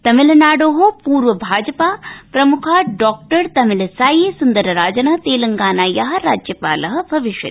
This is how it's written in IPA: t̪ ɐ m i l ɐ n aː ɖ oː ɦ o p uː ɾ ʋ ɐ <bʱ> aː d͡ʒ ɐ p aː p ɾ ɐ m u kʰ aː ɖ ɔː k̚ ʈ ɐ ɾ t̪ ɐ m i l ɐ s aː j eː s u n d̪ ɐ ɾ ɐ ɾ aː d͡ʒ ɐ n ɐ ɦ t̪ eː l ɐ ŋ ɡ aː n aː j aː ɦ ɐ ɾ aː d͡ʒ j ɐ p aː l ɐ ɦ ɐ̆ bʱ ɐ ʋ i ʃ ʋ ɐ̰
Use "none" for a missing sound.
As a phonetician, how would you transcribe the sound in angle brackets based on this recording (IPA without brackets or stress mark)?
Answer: bʱ